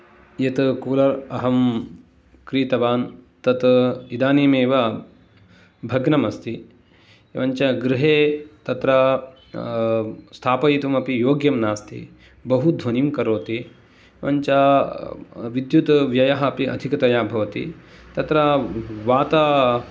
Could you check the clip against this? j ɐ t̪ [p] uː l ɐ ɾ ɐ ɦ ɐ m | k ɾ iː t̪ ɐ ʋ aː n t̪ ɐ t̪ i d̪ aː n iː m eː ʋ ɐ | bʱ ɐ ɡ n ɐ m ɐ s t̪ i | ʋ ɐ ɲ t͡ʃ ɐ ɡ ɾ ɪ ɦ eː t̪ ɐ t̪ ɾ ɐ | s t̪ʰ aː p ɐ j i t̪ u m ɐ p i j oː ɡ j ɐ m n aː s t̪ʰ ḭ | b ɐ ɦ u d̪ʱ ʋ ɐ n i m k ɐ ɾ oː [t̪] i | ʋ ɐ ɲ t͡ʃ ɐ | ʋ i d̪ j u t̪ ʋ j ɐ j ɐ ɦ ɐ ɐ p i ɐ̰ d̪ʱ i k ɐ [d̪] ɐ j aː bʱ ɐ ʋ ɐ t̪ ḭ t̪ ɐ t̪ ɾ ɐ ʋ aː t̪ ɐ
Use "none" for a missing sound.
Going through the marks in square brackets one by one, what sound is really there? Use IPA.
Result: k, t̪, t̪

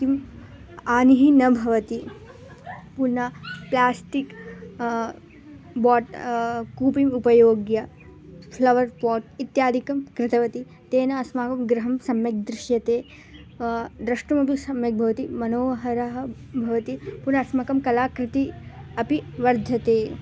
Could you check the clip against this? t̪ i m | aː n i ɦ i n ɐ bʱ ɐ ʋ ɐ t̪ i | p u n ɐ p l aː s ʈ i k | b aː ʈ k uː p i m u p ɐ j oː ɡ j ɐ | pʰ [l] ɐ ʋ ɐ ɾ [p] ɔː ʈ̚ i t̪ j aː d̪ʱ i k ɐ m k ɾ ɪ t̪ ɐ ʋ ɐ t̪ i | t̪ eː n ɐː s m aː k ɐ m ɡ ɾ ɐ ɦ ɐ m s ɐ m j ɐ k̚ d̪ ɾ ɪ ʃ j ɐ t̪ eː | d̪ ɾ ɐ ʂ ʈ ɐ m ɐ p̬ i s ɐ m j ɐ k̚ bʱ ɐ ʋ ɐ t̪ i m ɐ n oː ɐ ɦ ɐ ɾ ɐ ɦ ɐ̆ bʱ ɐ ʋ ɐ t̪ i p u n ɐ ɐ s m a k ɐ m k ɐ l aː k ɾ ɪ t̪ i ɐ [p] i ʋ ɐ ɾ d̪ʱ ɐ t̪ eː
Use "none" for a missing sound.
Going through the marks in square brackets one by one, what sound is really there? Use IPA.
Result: l, p, p

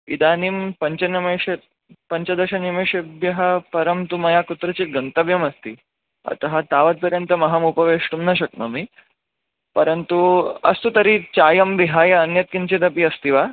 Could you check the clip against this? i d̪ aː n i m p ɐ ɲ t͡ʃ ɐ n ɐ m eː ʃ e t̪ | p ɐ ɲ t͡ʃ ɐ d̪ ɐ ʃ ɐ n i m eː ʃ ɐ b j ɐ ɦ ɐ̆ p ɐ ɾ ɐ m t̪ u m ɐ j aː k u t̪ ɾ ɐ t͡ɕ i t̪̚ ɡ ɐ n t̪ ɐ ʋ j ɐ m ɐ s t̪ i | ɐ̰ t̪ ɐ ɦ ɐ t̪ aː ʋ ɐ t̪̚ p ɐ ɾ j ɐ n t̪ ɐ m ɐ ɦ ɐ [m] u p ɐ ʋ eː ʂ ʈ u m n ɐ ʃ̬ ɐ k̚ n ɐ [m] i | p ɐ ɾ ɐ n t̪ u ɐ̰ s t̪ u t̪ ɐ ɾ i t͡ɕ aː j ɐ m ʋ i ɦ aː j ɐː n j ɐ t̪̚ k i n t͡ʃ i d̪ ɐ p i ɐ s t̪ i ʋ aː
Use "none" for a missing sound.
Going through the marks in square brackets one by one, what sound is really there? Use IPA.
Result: m, m

